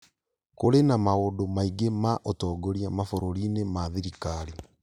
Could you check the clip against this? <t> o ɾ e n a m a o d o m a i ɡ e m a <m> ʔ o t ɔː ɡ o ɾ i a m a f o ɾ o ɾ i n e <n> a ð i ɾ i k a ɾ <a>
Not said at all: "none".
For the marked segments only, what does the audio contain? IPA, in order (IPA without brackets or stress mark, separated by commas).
k, none, m, i